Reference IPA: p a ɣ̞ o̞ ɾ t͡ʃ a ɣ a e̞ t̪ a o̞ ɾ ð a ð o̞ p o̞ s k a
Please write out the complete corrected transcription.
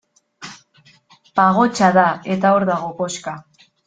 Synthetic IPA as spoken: p a ɣ̞ o̞ t͡ʃ a ð a e̞ t̪ a o̞ ɾ ð a ɣ o̞ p o̞ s k a

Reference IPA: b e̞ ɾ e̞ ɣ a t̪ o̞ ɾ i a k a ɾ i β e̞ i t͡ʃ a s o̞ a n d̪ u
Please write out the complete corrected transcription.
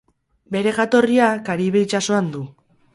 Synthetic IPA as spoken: b e̞ ɾ e̞ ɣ a t̪ o̞ r i a k a ɾ i β e̞ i t͡ʃ a s o̞ a n d̪ u

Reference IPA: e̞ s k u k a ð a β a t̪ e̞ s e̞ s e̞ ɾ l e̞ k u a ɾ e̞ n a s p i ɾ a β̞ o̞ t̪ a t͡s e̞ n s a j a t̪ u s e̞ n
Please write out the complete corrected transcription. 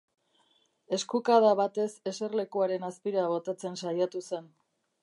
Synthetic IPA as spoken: e̞ s k u k a ð a β a t̪ e̞ s e̞ s e̞ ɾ l e̞ k u a ɾ e̞ n a s p i ɾ a β̞ o̞ t̪ a t͡s e̞ n s a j a t̪ u s e̞ n

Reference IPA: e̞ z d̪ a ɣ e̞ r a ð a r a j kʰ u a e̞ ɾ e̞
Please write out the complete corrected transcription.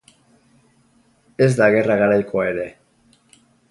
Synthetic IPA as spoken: e̞ z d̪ a ɣ e̞ r a ɣ a ɾ a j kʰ o a e̞ ɾ e̞

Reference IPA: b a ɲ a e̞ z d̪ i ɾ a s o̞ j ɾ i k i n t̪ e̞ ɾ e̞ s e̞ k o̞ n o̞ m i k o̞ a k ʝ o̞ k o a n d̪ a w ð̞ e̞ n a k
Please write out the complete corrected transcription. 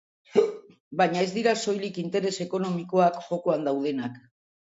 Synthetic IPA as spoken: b a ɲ a e̞ z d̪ i ɾ a s o̞ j l i k i n t̪ e̞ ɾ e̞ s e̞ k o̞ n o̞ m i k o̞ a k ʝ o̞ k o a n d̪ a w ð̞ e̞ n a k

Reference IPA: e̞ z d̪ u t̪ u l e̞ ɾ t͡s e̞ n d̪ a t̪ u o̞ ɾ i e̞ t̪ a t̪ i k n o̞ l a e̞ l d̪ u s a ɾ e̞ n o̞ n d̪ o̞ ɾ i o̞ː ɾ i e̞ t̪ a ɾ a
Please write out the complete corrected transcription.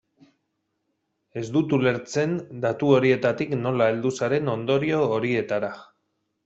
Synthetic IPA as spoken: e̞ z d̪ u t̪ u l e̞ ɾ t͡s e̞ n d̪ a t̪ u o̞ ɾ i e̞ t̪ a t̪ i k n o̞ l a e̞ l d̪ u s a ɾ e̞ n o̞ n d̪ o̞ ɾ i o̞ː ɾ i e̞ t̪ a ɾ a

